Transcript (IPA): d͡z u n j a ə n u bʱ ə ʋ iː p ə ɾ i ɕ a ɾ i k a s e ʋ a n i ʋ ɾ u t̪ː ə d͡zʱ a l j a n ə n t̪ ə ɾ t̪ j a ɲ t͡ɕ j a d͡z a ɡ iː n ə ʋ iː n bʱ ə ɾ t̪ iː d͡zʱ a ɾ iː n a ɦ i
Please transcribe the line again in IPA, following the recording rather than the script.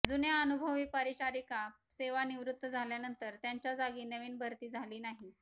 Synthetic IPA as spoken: d͡z u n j a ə n u bʱ ə ʋ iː p ə ɾ i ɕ a ɾ i k a s e ʋ a n i ʋ ɾ u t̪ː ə d͡zʱ a l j a n ə n t̪ ə ɾ t̪ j a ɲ t͡ɕ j a d͡z a ɡ iː n ə ʋ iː n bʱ ə ɾ t̪ iː d͡zʱ a l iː n a ɦ i